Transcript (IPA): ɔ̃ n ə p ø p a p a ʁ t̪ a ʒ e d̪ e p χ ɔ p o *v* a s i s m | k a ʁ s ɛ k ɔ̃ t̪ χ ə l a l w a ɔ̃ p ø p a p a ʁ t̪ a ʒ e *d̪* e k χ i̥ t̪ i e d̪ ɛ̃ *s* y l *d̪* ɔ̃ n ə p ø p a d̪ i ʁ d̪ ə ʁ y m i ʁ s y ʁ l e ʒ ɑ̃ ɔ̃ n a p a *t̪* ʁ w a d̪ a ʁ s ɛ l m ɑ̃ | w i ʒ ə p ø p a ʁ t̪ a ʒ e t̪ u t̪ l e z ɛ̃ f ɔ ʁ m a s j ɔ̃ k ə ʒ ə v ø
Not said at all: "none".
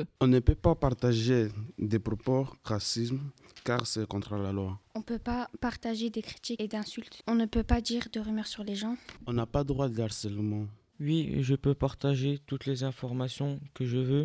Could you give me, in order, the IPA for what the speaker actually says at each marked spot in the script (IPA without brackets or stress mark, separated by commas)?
ʁ, d̪, s, t̪, d̪